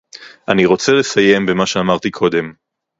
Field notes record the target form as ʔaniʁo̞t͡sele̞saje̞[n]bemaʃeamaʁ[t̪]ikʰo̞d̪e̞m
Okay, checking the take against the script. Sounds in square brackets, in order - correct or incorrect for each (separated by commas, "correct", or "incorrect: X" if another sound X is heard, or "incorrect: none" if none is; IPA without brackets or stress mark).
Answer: incorrect: m, correct